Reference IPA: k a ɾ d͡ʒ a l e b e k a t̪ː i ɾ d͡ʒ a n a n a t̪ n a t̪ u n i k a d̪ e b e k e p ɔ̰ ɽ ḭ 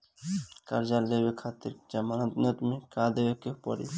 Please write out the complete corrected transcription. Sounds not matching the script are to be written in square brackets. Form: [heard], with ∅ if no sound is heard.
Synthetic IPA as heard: k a ɾ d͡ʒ a l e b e [kʰ] a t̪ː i ɾ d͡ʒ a [m] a n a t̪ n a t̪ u [m] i k a d̪ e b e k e p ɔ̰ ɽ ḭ

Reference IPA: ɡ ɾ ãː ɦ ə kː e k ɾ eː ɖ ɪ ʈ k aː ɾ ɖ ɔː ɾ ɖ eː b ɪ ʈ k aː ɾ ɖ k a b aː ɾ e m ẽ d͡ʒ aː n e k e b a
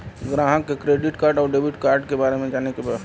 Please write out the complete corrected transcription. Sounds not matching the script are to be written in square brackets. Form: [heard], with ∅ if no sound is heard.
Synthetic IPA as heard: ɡ ɾ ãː ɦ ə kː e k ɾ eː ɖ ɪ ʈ k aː ɾ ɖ ɔː ɾ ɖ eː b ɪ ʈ k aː ɾ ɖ k [e] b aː ɾ e m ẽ d͡ʒ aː n e k e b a

